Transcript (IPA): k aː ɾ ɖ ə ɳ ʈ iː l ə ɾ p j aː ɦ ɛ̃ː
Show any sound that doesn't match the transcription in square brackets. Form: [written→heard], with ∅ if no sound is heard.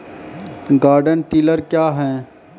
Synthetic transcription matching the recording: [k→ɡ] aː ɾ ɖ ə [ɳ→n] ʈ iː l ə ɾ [p→k] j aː ɦ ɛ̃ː